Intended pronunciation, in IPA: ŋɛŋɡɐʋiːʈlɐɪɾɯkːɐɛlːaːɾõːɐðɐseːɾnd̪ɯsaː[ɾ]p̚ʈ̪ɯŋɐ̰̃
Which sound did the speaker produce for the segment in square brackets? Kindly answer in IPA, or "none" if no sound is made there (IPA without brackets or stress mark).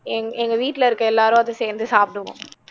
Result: none